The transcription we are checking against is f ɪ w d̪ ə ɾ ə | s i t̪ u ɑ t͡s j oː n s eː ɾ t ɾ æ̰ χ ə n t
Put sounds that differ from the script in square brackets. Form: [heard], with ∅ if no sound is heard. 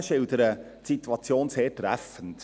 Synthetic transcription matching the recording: [ʃ] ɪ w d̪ ə ɾ ə | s i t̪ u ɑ t͡s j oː n s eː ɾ t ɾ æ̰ [f] ə n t